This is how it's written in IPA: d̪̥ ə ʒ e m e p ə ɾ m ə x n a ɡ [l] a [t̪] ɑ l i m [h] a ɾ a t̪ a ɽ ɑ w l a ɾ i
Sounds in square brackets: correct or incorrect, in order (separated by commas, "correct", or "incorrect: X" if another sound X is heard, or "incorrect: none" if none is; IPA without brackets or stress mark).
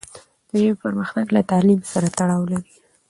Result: correct, correct, incorrect: s